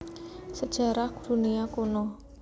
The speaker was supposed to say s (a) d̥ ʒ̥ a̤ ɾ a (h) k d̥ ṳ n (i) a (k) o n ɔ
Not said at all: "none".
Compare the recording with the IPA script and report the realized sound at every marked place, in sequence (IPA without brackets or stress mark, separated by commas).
ə, h, i, k